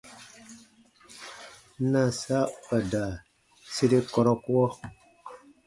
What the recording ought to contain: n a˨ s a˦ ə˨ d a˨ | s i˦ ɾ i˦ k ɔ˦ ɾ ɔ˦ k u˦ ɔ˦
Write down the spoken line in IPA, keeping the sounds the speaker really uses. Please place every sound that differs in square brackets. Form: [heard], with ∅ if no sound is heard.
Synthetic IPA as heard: n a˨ s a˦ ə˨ d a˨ | s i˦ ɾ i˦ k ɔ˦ ɾ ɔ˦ k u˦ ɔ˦